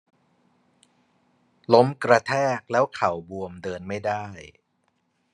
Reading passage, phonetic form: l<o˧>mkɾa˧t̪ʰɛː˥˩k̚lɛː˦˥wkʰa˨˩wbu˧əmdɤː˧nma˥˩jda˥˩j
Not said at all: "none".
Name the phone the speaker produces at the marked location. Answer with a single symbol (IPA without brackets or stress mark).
o˦˥